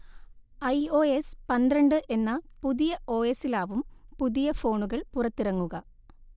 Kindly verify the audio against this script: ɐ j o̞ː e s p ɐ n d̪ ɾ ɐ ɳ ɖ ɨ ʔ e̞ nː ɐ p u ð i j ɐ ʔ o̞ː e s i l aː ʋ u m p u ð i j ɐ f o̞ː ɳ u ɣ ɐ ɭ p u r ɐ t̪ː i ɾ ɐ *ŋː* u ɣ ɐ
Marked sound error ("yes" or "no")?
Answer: no